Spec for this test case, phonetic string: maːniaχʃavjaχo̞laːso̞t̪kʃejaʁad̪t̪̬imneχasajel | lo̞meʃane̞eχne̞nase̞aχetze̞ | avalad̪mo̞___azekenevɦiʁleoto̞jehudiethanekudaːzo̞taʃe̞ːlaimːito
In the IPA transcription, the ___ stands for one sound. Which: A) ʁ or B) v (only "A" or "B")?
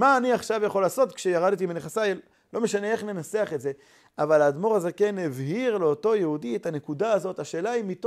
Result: A